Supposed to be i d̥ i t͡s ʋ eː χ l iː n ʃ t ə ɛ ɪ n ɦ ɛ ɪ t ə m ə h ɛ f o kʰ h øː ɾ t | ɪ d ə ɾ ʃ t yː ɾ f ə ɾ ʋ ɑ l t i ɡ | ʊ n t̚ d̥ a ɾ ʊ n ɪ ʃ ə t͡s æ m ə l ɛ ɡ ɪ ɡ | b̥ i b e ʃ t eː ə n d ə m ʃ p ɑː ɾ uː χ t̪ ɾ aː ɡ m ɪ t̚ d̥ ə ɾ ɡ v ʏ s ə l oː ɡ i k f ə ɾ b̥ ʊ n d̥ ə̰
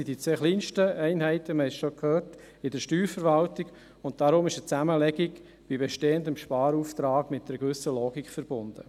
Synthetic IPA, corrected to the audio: i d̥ i t͡s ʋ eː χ l iː n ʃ t ə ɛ ɪ n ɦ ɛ ɪ t ə m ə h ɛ ʃ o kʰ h øː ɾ t | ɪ d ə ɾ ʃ t yː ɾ f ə ɾ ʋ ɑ l t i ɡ | ʊ n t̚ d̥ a ɾ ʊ m ɪ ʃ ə t͡s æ m ə l ɛ ɡ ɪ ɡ | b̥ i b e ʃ t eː ə n d ə m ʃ p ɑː ɾ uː f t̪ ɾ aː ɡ m ɪ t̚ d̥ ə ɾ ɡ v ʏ s ə l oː ɡ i k f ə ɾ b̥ ʊ n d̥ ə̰